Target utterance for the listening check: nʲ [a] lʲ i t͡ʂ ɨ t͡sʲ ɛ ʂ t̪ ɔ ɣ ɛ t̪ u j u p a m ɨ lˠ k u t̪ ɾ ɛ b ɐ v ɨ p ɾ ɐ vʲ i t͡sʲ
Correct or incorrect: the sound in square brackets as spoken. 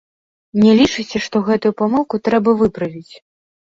incorrect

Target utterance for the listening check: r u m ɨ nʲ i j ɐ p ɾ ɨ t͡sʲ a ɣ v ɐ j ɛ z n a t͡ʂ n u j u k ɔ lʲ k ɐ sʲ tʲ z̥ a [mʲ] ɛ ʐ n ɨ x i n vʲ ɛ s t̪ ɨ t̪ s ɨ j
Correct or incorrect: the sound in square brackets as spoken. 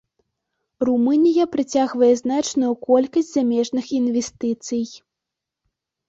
correct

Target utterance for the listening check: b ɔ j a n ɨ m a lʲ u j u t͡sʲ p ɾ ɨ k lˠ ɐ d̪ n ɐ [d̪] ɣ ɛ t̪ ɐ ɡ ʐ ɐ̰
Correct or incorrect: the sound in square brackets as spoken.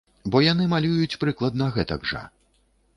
incorrect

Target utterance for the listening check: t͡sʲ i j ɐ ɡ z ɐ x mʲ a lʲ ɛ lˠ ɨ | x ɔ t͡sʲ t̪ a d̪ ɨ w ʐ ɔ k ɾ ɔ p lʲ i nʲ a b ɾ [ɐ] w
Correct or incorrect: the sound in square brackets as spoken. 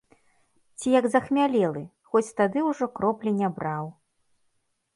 incorrect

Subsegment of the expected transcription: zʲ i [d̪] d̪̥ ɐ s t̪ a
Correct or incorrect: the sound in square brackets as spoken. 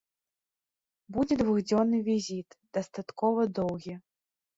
incorrect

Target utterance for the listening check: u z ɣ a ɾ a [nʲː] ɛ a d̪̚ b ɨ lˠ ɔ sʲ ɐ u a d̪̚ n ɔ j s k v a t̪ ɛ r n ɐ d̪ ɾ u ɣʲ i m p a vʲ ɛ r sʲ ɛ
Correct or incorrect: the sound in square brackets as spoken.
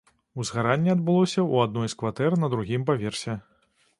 correct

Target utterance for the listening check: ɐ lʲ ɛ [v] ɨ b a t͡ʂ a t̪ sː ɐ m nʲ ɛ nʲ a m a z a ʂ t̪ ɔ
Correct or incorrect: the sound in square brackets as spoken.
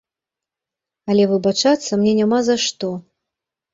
correct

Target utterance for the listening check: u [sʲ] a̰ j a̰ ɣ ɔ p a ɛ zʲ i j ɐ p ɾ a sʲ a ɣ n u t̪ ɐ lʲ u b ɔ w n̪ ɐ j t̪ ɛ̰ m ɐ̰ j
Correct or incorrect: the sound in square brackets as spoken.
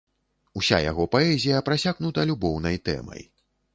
correct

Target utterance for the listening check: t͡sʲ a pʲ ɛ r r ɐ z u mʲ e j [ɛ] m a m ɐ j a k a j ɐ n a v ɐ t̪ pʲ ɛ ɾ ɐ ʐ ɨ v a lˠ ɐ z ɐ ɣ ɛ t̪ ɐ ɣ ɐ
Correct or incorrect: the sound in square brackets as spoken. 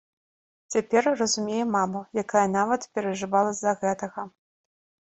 correct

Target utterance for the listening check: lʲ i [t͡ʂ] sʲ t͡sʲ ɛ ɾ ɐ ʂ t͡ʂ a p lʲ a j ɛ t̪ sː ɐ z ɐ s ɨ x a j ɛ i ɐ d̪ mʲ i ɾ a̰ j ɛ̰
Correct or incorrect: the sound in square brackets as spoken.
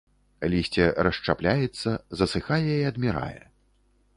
incorrect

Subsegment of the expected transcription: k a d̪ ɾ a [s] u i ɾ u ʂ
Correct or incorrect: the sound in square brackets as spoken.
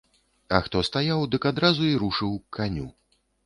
incorrect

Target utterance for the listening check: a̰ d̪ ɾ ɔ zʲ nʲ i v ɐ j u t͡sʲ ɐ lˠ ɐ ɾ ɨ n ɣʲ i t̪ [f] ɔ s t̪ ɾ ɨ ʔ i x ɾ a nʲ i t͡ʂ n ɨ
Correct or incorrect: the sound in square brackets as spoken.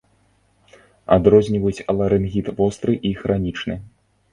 incorrect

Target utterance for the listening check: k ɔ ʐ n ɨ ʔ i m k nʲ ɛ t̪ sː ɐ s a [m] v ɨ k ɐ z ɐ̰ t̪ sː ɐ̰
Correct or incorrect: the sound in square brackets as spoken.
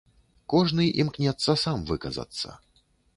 correct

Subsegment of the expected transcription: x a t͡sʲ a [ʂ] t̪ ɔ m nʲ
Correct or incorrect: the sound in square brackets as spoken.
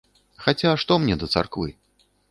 correct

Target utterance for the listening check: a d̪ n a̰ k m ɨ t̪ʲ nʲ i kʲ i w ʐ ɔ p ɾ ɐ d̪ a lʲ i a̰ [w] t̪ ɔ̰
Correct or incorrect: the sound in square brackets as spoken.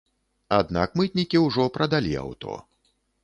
correct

